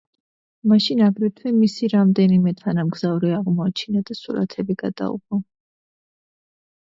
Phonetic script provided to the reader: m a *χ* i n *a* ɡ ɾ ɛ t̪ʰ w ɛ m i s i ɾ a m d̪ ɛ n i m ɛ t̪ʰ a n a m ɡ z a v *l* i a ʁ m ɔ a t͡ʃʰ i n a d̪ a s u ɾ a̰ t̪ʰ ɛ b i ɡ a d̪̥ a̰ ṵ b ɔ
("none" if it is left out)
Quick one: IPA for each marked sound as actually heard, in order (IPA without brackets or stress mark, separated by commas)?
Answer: ʃ, a, ɾ